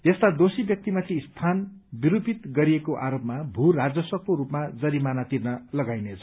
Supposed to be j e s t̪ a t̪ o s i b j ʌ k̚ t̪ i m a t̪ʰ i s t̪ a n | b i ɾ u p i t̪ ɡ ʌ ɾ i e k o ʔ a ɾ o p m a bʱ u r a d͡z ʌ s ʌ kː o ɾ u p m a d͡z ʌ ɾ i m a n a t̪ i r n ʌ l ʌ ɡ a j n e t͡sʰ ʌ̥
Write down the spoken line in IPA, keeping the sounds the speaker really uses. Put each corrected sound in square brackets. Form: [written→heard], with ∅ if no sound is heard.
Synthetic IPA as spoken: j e s t̪ a [t̪→d̪] o s i b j ʌ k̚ t̪ i m a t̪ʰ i s [t̪→t̪ʰ] a n | b i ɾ u p i t̪ ɡ ʌ ɾ i e k o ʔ a ɾ o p m a bʱ u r a d͡z ʌ s ʌ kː o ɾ u p m a d͡z ʌ ɾ i m a n a t̪ i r n ʌ l ʌ ɡ a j n e t͡sʰ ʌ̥